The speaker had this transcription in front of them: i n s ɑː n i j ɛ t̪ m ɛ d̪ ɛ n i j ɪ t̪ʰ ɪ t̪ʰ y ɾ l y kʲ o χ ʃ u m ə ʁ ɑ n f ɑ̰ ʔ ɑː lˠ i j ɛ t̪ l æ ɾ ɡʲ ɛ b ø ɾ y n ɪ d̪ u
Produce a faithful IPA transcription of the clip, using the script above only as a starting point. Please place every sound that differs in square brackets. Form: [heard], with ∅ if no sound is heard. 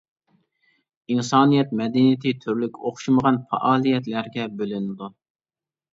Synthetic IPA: i n s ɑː n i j ɛ t̪ m ɛ d̪ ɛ n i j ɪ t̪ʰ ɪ t̪ʰ y ɾ l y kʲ o χ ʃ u m ə ʁ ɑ n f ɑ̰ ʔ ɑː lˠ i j ɛ t̪ l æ ɾ ɡʲ ɛ b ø [l] y n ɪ d̪ u